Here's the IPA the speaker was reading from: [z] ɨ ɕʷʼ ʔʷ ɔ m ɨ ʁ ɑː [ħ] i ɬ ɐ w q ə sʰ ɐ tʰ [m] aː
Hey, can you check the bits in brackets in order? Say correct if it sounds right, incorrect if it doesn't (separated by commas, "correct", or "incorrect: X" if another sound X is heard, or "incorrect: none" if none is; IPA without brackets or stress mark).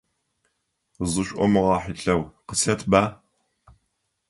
correct, correct, incorrect: b